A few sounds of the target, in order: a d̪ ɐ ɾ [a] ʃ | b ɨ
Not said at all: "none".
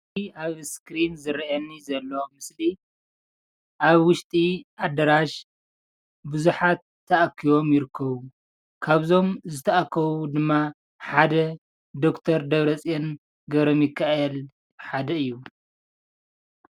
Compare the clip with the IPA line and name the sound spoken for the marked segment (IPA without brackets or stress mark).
a